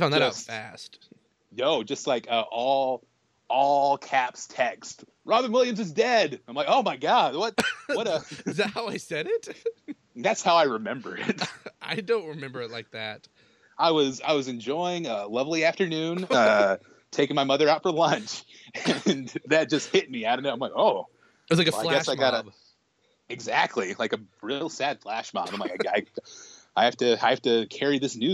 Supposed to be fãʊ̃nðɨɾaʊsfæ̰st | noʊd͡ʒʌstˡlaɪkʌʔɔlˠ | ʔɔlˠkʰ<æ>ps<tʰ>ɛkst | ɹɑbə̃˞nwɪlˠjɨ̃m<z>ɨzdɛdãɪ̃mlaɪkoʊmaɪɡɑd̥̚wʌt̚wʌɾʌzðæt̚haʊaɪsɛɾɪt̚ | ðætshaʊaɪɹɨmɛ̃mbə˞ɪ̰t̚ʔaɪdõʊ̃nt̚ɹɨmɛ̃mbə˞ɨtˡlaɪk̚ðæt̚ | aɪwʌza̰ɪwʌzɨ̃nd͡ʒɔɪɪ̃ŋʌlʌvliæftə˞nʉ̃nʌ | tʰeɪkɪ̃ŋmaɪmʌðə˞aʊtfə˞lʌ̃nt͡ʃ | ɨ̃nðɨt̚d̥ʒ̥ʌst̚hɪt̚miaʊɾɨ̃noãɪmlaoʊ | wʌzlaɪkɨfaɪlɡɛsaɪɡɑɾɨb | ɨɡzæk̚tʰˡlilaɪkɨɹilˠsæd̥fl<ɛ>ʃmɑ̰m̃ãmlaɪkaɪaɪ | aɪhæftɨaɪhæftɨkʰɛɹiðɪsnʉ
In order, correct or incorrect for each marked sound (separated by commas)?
correct, correct, correct, incorrect